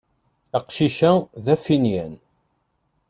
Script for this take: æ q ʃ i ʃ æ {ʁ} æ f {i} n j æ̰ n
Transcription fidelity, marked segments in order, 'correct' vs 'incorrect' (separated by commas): incorrect, correct